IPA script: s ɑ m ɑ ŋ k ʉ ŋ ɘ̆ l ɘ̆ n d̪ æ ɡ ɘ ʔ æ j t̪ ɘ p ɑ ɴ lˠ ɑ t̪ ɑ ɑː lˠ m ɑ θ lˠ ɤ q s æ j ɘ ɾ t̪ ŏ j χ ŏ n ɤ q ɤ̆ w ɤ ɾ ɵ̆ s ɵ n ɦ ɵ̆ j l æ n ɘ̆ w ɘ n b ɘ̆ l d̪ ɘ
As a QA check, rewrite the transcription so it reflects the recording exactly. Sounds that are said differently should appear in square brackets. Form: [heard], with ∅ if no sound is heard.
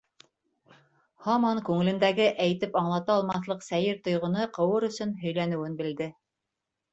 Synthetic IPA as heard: [h] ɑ m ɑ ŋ k ʉ ŋ ɘ̆ l ɘ̆ n d̪ æ ɡ ɘ ʔ æ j t̪ ɘ p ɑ ɴ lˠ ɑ t̪ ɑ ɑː lˠ m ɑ θ lˠ ɤ q s æ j ɘ ɾ t̪ ŏ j [ʁ] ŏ n ɤ q ɤ̆ w ɤ ɾ ɵ̆ s ɵ n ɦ ɵ̆ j l æ n ɘ̆ w ɘ n b ɘ̆ l d̪ ɘ